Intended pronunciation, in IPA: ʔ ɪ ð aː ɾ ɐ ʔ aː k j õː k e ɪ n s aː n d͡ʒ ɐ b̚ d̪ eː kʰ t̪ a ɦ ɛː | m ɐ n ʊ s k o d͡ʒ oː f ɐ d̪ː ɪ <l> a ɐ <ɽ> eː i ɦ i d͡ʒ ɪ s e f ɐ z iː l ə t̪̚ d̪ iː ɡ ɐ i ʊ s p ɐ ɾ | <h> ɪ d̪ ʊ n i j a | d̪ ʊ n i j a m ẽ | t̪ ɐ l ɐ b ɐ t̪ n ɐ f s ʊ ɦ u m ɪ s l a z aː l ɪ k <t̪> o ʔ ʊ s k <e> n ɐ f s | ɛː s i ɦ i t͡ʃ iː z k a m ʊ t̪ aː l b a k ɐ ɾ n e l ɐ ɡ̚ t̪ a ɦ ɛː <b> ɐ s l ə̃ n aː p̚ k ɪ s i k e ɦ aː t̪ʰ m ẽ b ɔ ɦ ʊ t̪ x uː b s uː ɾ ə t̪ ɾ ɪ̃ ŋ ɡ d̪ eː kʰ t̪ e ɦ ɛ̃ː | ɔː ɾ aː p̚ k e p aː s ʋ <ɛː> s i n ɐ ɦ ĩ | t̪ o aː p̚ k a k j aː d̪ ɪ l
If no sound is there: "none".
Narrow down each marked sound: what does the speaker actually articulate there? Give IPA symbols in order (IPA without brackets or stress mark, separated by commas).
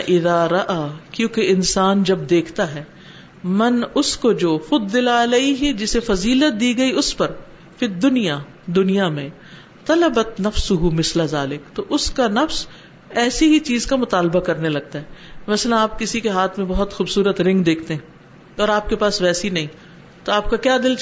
l, l, f, t̪, a, m, ɛː